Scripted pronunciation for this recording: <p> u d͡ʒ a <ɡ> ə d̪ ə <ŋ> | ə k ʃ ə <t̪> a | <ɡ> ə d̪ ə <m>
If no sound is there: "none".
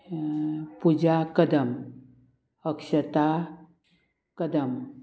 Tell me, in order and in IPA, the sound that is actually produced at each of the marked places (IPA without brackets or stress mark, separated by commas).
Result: p, k, m, t̪, k, m